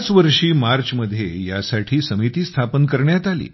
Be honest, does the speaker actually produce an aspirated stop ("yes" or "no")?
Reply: yes